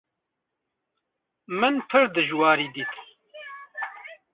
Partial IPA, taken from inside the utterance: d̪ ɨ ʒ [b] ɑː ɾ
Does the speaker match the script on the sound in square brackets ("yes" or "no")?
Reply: no